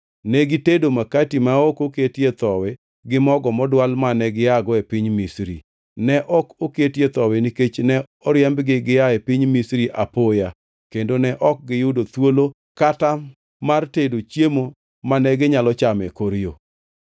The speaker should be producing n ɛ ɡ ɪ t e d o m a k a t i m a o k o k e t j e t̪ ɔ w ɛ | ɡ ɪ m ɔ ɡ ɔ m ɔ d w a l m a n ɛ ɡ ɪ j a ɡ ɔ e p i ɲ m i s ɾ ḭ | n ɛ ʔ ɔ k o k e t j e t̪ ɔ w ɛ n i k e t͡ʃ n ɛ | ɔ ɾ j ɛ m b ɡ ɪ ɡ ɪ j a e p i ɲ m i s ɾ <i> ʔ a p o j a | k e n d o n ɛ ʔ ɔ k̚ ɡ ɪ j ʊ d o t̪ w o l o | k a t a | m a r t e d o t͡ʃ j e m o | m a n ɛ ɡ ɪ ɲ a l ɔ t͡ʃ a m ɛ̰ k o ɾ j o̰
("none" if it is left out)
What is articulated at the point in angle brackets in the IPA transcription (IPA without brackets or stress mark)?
i